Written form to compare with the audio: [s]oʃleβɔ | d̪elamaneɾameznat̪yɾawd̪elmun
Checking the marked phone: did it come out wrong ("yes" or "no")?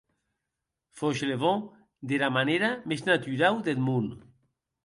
yes